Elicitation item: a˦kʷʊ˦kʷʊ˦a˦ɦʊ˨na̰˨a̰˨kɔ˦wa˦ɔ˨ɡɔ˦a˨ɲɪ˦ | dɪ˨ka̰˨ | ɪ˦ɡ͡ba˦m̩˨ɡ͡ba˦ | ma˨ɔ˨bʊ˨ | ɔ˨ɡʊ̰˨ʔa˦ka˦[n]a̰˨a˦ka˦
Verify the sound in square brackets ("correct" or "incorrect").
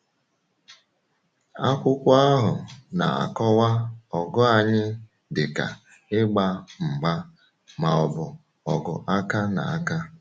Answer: correct